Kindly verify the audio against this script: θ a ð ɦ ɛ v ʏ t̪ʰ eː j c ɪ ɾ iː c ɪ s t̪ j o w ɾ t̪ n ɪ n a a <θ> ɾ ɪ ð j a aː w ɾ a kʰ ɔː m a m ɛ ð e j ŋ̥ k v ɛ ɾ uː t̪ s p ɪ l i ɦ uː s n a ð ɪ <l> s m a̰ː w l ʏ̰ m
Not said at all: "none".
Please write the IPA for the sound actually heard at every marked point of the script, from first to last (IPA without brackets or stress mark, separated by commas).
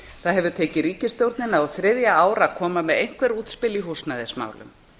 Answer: θ, none